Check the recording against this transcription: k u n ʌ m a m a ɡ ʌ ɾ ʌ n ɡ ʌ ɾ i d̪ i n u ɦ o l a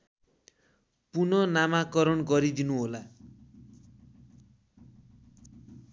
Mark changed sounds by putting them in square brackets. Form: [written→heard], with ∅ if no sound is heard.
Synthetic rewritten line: [k→p] u n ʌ [m→n] a m a [ɡ→k] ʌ ɾ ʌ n ɡ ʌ ɾ i d̪ i n u ɦ o l a